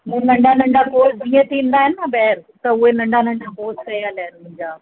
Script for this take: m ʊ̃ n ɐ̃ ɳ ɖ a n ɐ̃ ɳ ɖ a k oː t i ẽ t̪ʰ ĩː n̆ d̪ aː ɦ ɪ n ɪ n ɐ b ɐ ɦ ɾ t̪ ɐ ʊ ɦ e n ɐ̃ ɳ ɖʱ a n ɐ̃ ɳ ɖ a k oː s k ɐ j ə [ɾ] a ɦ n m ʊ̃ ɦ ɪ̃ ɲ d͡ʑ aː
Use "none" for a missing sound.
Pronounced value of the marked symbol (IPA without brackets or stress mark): l